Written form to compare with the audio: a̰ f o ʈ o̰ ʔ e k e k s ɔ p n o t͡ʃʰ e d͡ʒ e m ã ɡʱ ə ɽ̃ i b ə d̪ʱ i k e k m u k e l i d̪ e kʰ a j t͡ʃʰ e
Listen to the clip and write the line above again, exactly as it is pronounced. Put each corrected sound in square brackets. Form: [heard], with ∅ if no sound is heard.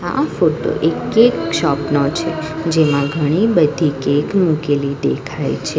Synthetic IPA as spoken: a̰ f o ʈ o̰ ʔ e k e k [ʃ] ɔ p n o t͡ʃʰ e d͡ʒ e m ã ɡʱ ə ɽ̃ i b ə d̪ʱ i k e k m u k e l i d̪ e kʰ a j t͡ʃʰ e